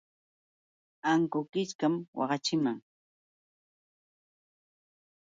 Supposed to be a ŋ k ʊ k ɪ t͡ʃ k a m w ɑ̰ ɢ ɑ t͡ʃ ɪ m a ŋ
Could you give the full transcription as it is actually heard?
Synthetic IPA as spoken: a ŋ k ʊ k ɪ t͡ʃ k a m w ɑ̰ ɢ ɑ t͡ʃ ɪ m a ŋ